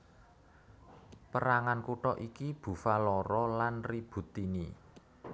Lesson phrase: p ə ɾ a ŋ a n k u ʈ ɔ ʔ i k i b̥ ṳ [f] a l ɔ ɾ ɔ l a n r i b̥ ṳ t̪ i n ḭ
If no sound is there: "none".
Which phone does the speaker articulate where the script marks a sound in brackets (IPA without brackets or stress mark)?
f